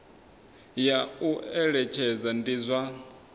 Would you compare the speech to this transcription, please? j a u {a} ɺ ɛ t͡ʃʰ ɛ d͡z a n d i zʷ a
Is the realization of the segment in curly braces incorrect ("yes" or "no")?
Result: yes